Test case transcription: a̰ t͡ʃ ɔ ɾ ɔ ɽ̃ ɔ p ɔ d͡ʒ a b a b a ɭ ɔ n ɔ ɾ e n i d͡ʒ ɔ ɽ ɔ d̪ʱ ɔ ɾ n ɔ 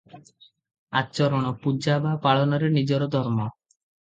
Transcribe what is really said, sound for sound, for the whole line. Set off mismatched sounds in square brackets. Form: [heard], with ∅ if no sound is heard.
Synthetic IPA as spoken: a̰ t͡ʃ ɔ ɾ ɔ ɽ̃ ɔ p [u] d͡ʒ a b a [p] a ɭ ɔ n ɔ ɾ e n i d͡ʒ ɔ [ɾ] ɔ d̪ʱ ɔ ɾ [m] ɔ